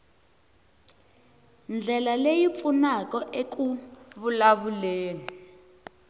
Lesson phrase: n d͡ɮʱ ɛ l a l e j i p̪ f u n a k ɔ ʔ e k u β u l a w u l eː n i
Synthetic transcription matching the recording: n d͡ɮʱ ɛ l a l e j i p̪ f u n a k ɔ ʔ e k u β u l a β u l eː n i